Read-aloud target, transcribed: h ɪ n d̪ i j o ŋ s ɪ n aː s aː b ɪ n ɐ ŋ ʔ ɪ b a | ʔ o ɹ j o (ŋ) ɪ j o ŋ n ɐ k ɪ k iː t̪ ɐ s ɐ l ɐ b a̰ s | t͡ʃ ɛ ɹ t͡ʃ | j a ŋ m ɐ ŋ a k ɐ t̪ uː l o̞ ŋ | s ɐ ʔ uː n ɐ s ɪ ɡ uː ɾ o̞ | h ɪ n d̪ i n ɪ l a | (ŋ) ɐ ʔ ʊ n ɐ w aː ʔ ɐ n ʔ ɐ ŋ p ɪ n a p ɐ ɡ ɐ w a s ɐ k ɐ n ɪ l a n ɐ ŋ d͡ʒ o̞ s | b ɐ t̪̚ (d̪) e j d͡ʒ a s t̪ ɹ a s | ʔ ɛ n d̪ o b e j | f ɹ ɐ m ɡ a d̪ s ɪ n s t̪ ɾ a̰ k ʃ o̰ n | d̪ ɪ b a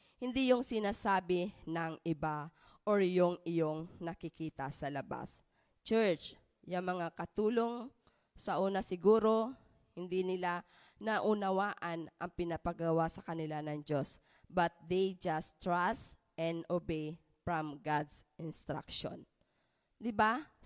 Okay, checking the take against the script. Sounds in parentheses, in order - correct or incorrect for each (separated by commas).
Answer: correct, incorrect, correct